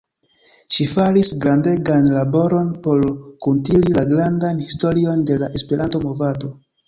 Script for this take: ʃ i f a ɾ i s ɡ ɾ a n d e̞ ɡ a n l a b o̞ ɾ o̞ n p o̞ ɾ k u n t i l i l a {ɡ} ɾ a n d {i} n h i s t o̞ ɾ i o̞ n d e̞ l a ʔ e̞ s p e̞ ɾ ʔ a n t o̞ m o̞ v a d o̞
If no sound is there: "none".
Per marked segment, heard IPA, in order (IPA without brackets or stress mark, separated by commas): ɡ, a